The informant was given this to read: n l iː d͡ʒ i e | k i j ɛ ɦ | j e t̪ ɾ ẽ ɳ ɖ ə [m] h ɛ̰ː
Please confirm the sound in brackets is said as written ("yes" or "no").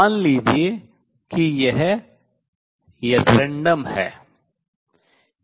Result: yes